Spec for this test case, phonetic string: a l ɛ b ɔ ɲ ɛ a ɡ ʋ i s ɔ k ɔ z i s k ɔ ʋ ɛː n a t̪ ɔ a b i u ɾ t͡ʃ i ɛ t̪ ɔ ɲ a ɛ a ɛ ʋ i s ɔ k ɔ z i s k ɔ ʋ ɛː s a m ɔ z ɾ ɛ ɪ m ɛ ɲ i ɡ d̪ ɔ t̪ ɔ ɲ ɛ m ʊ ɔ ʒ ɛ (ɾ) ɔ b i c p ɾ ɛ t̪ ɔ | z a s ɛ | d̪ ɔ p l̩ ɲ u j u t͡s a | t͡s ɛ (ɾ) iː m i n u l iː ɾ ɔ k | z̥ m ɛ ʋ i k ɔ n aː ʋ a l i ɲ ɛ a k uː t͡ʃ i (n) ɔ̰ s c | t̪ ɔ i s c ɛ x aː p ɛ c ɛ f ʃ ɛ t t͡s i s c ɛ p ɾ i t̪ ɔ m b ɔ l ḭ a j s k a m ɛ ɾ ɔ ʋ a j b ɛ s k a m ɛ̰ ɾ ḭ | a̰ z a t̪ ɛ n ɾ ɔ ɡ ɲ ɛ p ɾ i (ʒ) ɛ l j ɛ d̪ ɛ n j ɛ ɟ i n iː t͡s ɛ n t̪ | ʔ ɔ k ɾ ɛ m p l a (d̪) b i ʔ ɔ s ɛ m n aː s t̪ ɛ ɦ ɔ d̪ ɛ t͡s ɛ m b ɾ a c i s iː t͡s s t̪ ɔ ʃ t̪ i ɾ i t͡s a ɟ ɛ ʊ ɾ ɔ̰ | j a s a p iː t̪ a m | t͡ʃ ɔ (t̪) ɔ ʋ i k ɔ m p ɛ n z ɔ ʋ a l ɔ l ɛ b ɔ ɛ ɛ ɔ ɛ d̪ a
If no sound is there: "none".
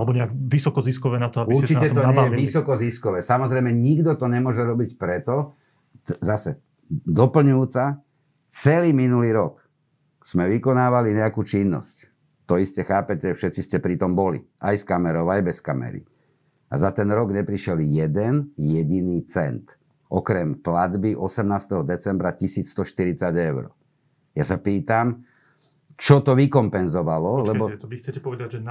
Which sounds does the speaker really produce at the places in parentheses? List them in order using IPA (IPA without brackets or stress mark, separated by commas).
ɾ, l, nː, ʃ, d̪, t̪